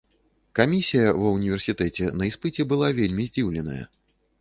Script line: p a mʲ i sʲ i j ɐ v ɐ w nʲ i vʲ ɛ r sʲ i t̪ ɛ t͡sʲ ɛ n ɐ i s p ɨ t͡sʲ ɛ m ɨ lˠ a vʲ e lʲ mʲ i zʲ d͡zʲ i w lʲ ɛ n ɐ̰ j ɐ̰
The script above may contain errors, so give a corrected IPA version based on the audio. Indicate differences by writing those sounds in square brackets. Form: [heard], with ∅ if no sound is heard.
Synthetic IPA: [k] a mʲ i sʲ i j ɐ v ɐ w nʲ i vʲ ɛ r sʲ i t̪ ɛ t͡sʲ ɛ n ɐ i s p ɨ t͡sʲ ɛ [b] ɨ lˠ a vʲ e lʲ mʲ i zʲ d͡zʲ i w lʲ ɛ n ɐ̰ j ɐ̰